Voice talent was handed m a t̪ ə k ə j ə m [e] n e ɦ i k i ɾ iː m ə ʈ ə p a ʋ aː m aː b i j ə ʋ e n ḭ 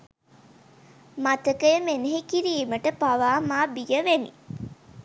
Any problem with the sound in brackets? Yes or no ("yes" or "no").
no